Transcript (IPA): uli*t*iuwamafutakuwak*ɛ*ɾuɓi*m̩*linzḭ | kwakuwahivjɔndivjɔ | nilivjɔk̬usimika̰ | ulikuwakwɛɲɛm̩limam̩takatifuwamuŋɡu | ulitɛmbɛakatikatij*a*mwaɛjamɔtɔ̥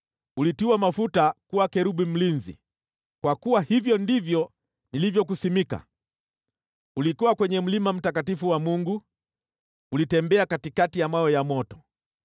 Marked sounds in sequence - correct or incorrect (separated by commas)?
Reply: correct, correct, correct, correct